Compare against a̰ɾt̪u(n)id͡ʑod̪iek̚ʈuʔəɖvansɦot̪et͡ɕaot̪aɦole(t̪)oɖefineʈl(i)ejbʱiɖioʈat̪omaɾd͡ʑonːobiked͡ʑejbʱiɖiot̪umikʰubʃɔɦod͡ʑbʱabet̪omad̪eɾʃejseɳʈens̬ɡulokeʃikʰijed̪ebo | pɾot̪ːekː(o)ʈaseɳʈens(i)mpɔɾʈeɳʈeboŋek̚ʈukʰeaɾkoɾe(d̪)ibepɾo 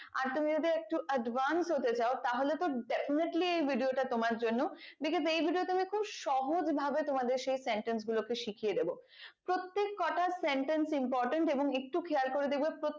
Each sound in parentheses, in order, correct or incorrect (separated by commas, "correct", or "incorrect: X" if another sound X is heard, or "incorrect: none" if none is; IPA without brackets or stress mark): incorrect: m, correct, correct, incorrect: ɔ, correct, correct